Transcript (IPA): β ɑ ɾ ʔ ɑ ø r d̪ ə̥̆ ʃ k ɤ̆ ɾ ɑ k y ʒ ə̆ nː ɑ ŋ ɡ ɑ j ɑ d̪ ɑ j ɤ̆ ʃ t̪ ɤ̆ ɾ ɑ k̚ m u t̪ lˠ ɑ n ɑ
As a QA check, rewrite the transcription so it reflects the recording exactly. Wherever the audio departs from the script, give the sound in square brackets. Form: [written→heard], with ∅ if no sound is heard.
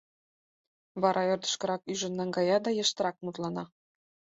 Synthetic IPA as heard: β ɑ ɾ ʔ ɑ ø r d̪ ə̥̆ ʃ k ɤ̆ ɾ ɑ k y ʒ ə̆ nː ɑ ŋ ɡ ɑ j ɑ d̪ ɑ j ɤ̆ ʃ t̪ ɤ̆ ɾ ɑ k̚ m u t̪ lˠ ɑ n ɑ